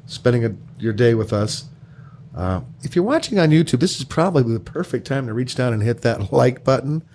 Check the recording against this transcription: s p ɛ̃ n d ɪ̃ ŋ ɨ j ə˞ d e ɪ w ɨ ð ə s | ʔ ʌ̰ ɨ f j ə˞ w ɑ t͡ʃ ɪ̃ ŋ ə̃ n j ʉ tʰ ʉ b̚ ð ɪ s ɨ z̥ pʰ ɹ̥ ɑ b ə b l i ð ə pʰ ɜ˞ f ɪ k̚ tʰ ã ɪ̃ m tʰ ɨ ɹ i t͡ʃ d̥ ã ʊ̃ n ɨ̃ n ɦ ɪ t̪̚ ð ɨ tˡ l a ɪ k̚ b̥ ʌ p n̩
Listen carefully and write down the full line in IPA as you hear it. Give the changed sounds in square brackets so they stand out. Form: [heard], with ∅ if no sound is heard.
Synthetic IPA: s p ɛ̃ n d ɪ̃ ŋ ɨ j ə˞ d e ɪ w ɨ ð [ʌ] s | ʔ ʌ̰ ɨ f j ə˞ w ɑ t͡ʃ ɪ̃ ŋ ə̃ n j ʉ tʰ ʉ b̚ ð ɪ s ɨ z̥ pʰ ɹ̥ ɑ b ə b l i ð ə pʰ ɜ˞ f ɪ k̚ tʰ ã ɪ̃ m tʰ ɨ ɹ i t͡ʃ d̥ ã ʊ̃ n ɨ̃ n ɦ ɪ t̪̚ ð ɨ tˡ l a ɪ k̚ b̥ ʌ [ʔ] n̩